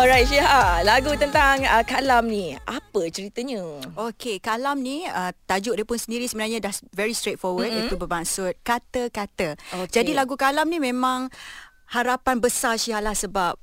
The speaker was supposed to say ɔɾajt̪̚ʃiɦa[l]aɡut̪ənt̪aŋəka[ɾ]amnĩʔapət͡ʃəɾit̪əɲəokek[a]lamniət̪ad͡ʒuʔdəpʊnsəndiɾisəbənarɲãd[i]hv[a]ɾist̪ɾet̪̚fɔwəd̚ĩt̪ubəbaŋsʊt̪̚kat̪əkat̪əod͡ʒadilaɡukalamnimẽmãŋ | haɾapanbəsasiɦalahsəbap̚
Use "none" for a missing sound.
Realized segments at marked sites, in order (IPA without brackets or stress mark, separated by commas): l, l, a, a, ɛ